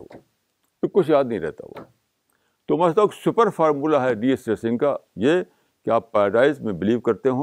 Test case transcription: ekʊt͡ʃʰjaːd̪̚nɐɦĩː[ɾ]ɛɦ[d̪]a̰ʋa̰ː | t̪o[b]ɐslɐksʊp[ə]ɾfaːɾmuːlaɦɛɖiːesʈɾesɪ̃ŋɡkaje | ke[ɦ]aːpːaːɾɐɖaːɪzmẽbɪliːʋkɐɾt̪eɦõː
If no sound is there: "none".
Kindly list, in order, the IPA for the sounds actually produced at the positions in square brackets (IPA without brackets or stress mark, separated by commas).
ɾ, t̪, m, ə, none